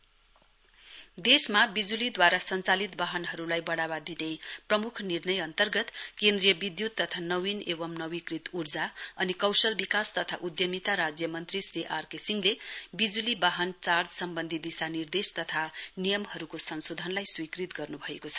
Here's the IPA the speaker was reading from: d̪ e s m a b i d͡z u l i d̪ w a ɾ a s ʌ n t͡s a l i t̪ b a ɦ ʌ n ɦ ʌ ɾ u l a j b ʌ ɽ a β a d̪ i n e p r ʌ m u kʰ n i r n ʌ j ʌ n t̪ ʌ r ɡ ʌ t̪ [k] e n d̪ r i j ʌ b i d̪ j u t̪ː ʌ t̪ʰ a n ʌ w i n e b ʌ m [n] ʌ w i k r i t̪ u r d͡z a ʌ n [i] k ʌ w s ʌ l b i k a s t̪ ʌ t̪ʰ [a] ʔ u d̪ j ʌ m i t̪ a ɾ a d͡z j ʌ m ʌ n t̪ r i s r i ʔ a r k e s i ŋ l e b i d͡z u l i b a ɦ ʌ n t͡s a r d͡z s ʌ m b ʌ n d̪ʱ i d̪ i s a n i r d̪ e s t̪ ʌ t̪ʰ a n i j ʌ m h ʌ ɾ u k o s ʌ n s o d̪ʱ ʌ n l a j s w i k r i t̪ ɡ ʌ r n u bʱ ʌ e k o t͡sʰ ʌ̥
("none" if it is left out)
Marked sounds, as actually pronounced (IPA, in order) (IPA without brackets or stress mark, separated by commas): k, n, i, a